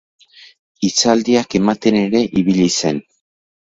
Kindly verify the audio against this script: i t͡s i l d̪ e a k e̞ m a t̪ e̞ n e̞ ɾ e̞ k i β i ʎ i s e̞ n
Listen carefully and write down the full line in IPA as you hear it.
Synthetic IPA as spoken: i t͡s a l d̪ i a k e̞ m a t̪ e̞ n e̞ ɾ e̞ ʔ i β i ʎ i s e̞ n